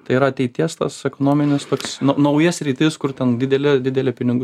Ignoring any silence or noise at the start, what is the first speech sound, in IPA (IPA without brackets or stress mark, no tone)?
t̪